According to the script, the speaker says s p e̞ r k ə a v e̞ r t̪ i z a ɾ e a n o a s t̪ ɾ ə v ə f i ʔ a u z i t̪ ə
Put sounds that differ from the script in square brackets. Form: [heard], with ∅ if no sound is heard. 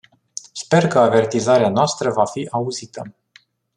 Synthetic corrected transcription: s p e̞ r k ə a v e̞ r t̪ i z a ɾ e a n o a s t̪ ɾ ə v [a] f i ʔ a u z i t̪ ə